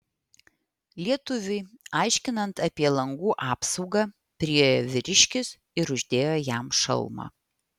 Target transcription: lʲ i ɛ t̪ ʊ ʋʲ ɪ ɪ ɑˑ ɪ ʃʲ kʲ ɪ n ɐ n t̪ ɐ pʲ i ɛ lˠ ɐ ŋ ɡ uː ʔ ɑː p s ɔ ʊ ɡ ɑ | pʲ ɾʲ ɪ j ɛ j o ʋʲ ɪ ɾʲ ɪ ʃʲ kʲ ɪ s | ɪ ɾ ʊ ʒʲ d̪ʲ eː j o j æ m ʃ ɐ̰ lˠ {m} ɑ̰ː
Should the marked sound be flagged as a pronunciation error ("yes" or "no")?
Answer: no